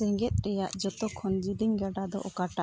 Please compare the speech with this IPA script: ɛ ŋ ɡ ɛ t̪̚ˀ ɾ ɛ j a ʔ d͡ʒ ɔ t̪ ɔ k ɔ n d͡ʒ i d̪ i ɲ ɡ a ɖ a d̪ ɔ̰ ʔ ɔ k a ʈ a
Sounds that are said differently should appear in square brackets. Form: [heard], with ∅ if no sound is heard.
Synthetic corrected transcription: ɛ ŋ ɡ ɛ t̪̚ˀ ɾ ɛ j a ʔ d͡ʒ ɔ t̪ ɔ [kʰ] ɔ n d͡ʒ i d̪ i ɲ ɡ a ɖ a d̪ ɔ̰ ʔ ɔ k a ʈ a